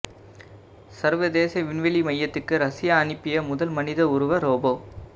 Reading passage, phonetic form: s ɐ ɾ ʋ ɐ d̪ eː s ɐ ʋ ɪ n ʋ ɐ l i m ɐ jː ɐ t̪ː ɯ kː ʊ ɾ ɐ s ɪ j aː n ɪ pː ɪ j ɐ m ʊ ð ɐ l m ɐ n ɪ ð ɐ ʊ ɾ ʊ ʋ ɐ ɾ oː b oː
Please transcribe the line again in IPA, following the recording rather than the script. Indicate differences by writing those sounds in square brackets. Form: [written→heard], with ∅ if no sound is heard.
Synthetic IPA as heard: s ɐ ɾ ʋ ɐ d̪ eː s ɐ ʋ ɪ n ʋ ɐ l i m ɐ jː ɐ t̪ː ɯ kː [ʊ→ɯ] ɾ ɐ s ɪ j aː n ɪ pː ɪ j ɐ m ʊ ð ɐ l m ɐ n ɪ ð ɐ ʊ ɾ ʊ ʋ ɐ ɾ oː b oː